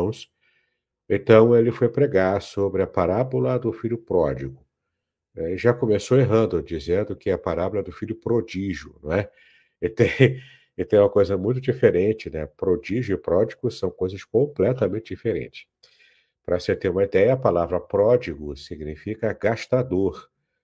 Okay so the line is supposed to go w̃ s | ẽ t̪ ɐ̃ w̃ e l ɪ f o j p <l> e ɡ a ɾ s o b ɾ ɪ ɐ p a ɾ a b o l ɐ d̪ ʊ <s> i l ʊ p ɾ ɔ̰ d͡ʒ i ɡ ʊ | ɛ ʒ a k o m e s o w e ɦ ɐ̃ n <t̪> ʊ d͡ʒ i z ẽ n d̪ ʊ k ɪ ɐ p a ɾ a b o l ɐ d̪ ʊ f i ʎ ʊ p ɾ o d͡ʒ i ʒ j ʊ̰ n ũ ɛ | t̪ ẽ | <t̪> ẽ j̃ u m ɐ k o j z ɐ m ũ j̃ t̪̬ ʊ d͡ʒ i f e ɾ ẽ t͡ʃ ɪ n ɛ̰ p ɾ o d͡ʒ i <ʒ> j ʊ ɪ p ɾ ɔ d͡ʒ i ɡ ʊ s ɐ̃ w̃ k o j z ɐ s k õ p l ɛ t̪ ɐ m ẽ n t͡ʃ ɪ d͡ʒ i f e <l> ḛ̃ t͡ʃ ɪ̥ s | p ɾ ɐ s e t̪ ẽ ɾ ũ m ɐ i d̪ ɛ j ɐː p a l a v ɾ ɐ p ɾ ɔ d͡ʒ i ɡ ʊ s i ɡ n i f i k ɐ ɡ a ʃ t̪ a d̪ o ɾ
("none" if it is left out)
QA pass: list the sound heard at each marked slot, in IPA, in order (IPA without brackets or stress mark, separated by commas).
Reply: ɾ, f, d̪, t̪, ʒ, ɾ